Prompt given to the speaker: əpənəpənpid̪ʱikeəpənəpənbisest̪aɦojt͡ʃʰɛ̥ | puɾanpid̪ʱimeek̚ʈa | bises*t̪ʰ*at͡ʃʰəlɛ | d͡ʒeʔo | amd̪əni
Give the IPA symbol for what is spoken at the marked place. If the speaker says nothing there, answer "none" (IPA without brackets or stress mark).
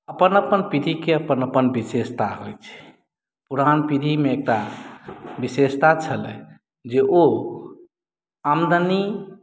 t̪